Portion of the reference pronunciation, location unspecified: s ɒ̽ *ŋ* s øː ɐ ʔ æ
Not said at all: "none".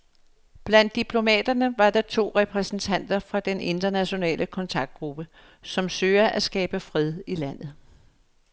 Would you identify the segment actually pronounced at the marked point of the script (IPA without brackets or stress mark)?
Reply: m